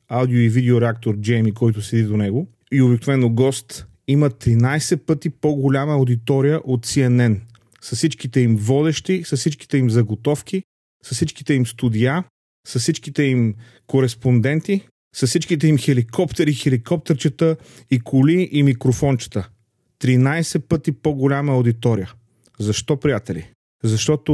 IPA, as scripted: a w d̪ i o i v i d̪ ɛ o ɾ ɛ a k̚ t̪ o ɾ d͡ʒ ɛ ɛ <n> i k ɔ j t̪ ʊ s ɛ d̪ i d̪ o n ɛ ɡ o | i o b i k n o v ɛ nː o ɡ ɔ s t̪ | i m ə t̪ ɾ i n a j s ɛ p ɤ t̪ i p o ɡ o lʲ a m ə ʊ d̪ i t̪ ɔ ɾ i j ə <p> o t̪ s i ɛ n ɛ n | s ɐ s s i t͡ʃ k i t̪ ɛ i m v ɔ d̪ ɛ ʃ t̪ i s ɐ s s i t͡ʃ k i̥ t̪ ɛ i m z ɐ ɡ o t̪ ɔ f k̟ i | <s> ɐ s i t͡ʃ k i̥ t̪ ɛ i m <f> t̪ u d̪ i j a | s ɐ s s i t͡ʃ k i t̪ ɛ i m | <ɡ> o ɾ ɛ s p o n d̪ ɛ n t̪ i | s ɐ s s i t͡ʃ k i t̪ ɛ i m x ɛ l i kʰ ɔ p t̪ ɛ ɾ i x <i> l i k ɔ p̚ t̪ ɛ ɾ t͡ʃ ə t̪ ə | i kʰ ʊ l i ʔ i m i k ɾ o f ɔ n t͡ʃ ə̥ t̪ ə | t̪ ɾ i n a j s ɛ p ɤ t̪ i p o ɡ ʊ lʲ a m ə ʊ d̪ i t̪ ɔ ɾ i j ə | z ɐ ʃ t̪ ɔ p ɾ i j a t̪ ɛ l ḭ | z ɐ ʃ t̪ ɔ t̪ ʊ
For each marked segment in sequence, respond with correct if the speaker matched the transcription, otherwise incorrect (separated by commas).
incorrect, incorrect, correct, incorrect, incorrect, incorrect